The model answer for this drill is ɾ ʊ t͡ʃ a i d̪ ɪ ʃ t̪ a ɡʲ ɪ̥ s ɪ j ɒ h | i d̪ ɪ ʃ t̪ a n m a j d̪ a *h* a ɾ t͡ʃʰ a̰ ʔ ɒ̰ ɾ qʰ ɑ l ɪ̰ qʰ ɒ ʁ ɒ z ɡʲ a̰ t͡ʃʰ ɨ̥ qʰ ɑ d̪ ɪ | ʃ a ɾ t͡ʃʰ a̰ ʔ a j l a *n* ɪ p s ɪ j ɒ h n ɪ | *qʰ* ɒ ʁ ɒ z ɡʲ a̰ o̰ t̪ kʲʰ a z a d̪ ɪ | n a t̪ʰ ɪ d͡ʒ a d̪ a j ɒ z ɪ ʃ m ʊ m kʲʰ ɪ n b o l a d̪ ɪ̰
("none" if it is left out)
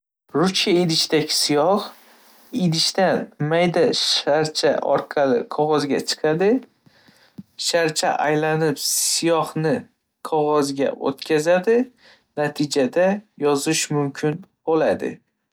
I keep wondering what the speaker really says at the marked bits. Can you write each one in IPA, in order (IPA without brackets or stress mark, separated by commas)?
ʃ, n, qʰ